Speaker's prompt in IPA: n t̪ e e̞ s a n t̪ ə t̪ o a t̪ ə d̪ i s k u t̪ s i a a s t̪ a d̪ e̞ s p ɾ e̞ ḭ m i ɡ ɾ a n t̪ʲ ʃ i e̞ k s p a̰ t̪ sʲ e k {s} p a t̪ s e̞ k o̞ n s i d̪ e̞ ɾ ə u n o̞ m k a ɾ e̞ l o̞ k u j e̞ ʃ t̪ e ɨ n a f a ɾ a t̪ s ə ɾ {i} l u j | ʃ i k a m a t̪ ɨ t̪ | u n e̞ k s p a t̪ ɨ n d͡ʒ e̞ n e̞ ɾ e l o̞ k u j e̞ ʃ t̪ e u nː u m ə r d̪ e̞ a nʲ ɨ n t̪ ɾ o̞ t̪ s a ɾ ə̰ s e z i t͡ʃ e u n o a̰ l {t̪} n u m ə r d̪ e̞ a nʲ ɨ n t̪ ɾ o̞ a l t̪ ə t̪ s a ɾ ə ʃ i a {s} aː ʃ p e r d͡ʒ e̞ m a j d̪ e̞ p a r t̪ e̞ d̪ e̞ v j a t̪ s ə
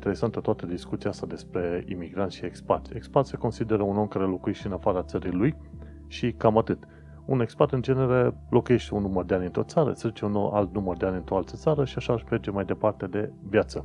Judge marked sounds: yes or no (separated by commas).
yes, yes, yes, no